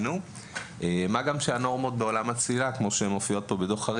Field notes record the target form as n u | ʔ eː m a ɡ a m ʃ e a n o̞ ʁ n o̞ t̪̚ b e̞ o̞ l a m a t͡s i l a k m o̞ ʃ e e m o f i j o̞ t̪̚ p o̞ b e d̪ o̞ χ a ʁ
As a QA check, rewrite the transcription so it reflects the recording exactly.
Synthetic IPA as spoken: n u | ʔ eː m a ɡ a m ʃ e a n o̞ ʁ m o̞ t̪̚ b e̞ o̞ l a m a t͡s i l a k m o̞ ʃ e e m o f i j o̞ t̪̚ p o̞ b e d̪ o̞ χ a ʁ